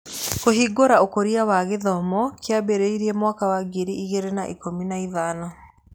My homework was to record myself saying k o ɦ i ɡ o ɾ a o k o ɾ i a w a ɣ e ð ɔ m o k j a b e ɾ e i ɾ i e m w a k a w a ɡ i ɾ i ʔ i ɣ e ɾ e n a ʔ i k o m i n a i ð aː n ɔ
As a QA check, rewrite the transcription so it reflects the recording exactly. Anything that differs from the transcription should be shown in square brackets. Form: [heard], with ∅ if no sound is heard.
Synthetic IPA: k o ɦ i ɡ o ɾ a o k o ɾ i a w a ɣ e ð ɔ m [ɔ] k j a b e ɾ e i ɾ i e m w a k a w a ɡ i ɾ i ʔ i ɣ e ɾ e n a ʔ i k o m i n a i ð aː n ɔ